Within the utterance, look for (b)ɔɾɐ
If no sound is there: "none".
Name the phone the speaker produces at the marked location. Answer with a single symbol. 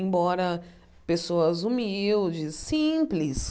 b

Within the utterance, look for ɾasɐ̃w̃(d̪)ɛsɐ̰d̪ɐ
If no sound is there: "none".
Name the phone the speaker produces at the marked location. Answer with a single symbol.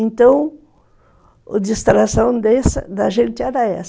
d̪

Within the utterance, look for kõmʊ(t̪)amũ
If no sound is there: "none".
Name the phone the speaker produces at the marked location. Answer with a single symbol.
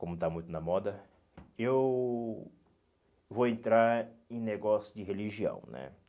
t̪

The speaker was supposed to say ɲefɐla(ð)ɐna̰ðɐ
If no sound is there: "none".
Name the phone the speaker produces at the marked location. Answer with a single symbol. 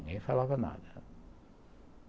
v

